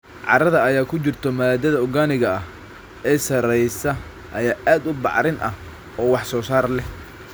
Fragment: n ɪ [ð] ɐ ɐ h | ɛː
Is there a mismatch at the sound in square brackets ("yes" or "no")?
yes